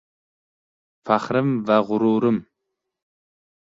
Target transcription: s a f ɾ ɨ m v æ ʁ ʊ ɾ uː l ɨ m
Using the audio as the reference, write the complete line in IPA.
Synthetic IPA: f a χ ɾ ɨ m v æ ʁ ʊ ɾ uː ɾ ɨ m